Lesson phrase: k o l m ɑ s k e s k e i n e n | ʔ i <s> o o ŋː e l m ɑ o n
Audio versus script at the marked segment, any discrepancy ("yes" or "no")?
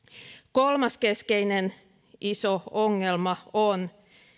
no